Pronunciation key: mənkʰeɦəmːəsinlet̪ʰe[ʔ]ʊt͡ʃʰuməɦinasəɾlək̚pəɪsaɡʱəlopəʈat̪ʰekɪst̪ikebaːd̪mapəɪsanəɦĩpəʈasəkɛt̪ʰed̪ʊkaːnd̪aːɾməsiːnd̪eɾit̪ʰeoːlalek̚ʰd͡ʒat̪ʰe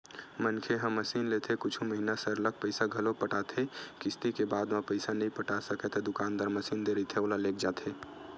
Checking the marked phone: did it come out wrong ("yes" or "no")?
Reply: yes